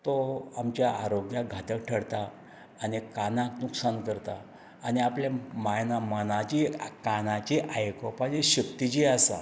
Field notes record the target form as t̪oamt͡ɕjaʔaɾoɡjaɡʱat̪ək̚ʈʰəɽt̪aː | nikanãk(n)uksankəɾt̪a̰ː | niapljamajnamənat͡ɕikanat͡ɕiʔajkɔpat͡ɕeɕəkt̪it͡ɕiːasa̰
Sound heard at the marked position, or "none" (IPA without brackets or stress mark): n